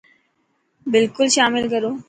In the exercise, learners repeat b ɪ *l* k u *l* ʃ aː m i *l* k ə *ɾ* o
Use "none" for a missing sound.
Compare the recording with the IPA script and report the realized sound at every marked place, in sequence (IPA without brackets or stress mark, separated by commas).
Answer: l, l, l, ɾ